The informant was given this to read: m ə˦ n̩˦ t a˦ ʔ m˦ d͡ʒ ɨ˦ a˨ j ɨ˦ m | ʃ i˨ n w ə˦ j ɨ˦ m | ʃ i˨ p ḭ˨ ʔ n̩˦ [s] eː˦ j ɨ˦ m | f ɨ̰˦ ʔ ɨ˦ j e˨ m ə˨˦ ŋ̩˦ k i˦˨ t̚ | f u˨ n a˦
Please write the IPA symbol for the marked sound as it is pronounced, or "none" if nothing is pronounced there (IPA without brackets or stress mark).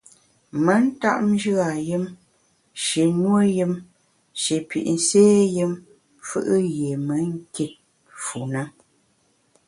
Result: s